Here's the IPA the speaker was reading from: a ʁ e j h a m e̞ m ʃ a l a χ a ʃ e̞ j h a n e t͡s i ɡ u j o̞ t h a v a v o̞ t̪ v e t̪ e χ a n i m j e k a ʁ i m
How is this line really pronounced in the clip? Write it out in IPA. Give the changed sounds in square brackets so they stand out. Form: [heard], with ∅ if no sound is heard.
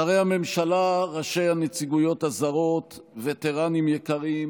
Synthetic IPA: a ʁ e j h a m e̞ m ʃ a l a [ʁ] a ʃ e̞ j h a n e t͡s i ɡ u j o̞ t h a [z] a [ʁ] o̞ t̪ v e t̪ e [ʁ] a n i m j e k a ʁ i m